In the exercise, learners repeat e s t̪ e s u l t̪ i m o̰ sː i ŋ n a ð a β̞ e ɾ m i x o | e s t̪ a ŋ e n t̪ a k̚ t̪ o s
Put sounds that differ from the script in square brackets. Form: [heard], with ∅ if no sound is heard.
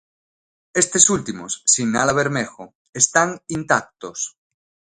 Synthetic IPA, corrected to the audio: e s t̪ e s u l t̪ i m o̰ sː i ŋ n a ð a β̞ e ɾ m [e] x o | e s t̪ a ŋ [i] n t̪ a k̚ t̪ o s